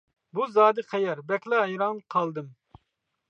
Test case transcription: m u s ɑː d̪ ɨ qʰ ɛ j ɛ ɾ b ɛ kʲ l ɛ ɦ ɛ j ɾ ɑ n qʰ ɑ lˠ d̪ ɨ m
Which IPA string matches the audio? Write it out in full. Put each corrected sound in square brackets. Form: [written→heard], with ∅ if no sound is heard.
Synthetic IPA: [m→b] u [s→z] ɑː d̪ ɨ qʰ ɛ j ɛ ɾ b ɛ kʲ l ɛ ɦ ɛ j ɾ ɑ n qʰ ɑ lˠ d̪ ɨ m

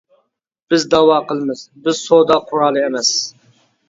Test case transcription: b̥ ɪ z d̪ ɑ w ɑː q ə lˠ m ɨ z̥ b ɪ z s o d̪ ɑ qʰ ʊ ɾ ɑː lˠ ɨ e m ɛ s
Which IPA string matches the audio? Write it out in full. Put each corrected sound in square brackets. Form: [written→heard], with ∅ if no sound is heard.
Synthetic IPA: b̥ ɪ z d̪ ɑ w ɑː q ə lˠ m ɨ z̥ b ɪ z s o d̪ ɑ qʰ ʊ ɾ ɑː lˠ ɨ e m ɛ s

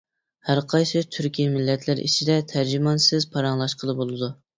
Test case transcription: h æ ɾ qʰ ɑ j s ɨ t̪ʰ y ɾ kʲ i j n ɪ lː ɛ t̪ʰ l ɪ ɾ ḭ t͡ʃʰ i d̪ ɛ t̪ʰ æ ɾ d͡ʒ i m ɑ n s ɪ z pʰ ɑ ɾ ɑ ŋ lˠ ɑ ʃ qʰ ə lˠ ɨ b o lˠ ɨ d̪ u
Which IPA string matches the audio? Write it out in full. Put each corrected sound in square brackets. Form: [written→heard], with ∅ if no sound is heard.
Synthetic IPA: h æ ɾ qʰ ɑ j s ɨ t̪ʰ y ɾ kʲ i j [n→m] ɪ lː ɛ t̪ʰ l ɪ ɾ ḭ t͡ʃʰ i d̪ ɛ t̪ʰ æ ɾ d͡ʒ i m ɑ n s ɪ z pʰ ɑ ɾ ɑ ŋ lˠ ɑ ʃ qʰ ə lˠ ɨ b o lˠ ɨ d̪ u

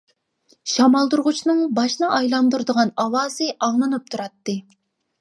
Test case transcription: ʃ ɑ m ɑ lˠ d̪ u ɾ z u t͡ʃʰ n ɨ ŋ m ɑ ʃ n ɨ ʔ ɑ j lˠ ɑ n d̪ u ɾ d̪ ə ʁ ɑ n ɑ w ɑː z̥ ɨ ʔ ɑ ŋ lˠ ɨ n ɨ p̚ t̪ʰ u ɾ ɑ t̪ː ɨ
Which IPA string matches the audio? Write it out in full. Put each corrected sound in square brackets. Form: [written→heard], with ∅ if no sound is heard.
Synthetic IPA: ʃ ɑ m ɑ lˠ d̪ u ɾ [z→ʁ] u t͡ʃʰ n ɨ ŋ [m→b] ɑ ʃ n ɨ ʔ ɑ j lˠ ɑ n d̪ u ɾ d̪ ə ʁ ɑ n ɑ w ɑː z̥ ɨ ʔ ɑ ŋ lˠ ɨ n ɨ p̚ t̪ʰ u ɾ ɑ t̪ː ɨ

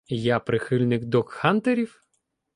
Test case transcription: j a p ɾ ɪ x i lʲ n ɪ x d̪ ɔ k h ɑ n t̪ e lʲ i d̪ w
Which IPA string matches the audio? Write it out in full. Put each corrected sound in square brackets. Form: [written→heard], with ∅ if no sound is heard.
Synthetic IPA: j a p ɾ ɪ x [i→ɪ] lʲ n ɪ [x→k] d̪ ɔ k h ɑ n t̪ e [lʲ→ɾʲ] i [d̪→∅] w

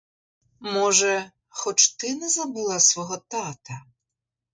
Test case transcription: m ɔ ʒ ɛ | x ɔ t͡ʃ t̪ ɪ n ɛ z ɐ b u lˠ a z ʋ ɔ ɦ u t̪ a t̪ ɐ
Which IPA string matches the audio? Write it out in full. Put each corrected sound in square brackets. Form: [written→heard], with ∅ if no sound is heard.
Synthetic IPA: m ɔ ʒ ɛ | x ɔ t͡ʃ t̪ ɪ n ɛ z ɐ b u lˠ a [z→s] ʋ ɔ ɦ [u→ɔ] t̪ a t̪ ɐ

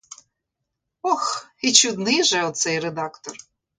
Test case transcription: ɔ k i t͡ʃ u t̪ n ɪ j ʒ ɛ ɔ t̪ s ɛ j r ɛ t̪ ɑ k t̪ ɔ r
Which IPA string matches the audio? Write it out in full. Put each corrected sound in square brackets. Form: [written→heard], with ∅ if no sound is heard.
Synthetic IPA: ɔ [k→x] i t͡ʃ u [t̪→d̪] n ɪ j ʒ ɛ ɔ t̪ s ɛ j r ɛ [t̪→d̪] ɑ k t̪ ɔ r

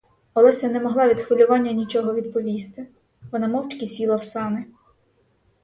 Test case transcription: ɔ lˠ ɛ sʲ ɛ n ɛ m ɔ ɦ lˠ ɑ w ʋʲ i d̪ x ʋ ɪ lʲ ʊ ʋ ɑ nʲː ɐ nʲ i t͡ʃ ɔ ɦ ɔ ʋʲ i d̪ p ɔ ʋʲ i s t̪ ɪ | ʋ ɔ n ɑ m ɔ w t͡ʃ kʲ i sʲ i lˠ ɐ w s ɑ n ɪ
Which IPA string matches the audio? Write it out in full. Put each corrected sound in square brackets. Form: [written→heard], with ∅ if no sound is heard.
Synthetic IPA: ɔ lˠ ɛ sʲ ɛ n ɛ m ɔ ɦ lˠ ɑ [w→∅] ʋʲ i d̪ x ʋ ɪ lʲ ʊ ʋ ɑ nʲː ɐ nʲ i t͡ʃ ɔ ɦ ɔ ʋʲ i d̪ p ɔ ʋʲ i s t̪ ɪ | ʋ ɔ n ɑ m ɔ w t͡ʃ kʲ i sʲ i lˠ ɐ w s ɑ n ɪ

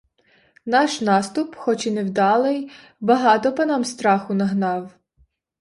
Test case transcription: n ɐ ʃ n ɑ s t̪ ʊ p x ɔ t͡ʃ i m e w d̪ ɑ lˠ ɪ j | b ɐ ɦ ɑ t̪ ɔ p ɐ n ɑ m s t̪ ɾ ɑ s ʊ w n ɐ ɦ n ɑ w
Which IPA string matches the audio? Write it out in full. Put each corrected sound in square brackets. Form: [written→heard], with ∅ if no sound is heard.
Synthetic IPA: n [ɐ→ɑ] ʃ n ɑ s t̪ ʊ p x ɔ t͡ʃ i [m→n] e w d̪ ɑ lˠ ɪ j | b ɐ ɦ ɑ t̪ ɔ p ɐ n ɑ m s t̪ ɾ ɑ [s→x] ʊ [w→∅] n ɐ ɦ n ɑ w

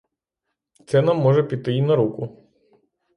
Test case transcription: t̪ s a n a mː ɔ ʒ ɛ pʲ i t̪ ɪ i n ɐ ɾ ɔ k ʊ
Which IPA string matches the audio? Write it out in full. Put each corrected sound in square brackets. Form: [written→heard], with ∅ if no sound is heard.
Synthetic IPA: t̪ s [a→ɛ] n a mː ɔ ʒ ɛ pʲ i t̪ ɪ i n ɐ ɾ [ɔ→u] k ʊ

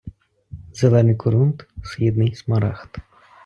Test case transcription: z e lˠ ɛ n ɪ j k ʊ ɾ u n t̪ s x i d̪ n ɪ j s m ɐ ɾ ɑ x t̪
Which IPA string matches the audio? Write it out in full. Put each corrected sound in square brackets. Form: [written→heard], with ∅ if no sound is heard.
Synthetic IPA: z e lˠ ɛ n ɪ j k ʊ ɾ u n t̪ s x i d̪ n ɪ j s m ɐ ɾ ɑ x t̪

